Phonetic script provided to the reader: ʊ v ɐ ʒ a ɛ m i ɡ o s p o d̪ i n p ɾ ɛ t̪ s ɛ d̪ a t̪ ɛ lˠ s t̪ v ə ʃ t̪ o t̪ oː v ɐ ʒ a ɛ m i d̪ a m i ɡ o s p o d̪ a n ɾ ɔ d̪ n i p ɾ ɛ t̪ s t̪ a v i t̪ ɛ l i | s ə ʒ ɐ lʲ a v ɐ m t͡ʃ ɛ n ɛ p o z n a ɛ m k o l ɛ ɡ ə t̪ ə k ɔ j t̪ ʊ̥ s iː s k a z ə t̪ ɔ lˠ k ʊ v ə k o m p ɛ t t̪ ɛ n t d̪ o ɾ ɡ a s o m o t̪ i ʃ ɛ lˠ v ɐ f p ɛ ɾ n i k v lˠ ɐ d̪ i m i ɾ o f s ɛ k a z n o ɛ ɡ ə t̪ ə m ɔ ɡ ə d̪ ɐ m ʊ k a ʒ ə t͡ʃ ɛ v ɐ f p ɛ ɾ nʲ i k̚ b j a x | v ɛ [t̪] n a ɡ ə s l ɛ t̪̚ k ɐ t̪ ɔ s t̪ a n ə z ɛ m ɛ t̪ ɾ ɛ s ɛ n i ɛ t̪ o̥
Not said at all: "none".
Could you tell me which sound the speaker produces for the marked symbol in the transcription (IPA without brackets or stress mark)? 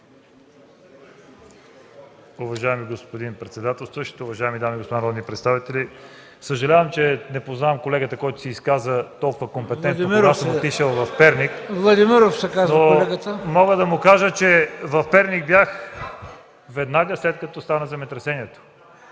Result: d̪